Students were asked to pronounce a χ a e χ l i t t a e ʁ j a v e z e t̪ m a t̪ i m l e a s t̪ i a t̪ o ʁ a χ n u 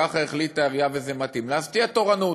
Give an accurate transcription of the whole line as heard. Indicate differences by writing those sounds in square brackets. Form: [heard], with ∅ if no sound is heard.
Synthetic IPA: a χ a e χ l i t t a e ʁ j a v e z e [∅] m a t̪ i m l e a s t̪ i a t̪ o ʁ a [∅] n u